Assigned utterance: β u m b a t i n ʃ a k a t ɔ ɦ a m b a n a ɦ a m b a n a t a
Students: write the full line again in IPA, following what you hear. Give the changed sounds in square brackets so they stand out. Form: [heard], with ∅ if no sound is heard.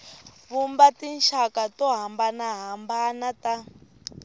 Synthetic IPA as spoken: β u m b a t i n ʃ a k a t ɔ ɦ a m b a n a ɦ a m b a n a t a

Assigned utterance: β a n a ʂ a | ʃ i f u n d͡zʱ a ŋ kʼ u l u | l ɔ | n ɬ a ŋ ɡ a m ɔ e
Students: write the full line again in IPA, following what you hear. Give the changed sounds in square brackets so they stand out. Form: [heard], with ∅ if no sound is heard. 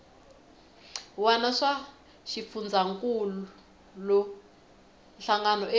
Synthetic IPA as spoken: [w] a n a ʂ a | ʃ i f u n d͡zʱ a ŋ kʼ u l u | l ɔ | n ɬ a ŋ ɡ a [n] ɔ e

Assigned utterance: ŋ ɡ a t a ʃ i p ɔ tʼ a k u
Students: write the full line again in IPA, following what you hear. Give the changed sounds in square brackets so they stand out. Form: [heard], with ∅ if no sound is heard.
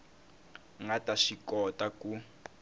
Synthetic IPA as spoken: ŋ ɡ a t a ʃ i [k] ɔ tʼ a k u

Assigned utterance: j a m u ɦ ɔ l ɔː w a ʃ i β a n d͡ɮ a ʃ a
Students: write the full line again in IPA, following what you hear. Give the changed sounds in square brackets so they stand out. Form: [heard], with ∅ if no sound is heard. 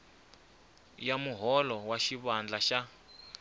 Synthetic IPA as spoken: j a m u ɦ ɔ l [ɔ] w a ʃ i β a n d͡ɮ a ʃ a

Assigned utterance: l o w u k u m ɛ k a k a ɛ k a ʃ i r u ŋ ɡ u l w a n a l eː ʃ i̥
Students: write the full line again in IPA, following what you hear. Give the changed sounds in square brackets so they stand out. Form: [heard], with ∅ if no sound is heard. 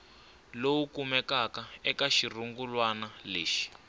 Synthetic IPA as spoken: l o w u k u m ɛ k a k a ɛ k a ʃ i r u ŋ ɡ u l w a n a l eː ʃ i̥

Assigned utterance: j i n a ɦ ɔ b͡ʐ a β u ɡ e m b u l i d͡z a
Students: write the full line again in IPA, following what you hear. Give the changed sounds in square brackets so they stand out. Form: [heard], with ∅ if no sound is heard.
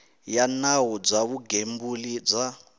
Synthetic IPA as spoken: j [a] n a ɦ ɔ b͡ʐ a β u ɡ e m b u l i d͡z a

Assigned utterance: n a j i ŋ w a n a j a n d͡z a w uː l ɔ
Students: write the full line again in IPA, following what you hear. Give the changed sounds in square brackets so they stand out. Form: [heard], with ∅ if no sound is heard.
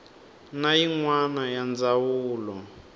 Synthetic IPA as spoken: n a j i ŋ w a n a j a n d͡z a w uː l ɔ

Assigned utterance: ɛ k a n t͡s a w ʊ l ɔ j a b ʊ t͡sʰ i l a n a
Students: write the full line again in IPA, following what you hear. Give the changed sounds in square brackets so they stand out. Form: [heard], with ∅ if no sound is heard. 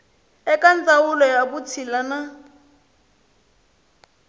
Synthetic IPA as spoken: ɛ k a n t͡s a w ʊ l ɔ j a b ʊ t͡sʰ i l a n a

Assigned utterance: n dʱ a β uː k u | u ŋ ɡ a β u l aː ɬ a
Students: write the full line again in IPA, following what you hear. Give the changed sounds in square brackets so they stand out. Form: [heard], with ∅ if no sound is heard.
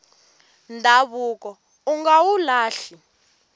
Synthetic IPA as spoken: n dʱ a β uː k [ɔ] | u ŋ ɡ a [w] u l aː ɬ [i]

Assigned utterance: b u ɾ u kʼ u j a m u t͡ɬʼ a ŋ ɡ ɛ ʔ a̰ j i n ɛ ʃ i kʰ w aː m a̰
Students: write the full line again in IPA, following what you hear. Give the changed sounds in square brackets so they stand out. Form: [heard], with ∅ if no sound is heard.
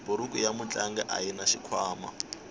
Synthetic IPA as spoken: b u ɾ u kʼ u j a m u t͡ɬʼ a ŋ ɡ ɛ ʔ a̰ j i n [a] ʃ i kʰ w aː m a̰

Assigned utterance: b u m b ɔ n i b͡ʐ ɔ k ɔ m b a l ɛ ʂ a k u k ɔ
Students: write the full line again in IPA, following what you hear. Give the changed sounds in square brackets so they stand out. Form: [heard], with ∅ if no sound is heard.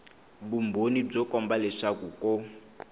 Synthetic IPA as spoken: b u m b [o] n i b͡ʐ ɔ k ɔ m b a l ɛ ʂ a k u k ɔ

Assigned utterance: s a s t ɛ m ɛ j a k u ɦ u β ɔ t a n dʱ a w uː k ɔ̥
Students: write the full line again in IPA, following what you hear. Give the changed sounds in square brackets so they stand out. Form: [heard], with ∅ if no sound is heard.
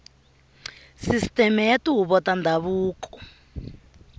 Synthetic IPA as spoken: s [i] s t ɛ m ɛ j a [t] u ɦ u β ɔ t a n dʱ a [β] uː k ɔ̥

